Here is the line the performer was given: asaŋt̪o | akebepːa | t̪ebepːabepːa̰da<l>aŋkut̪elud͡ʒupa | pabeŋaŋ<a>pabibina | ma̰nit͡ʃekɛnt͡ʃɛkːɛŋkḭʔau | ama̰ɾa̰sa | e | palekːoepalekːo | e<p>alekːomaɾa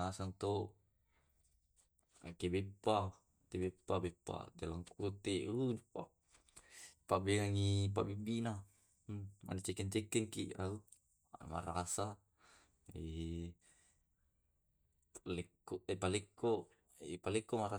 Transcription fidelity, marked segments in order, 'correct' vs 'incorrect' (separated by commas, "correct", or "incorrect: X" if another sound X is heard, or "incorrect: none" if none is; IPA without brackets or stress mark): correct, incorrect: i, correct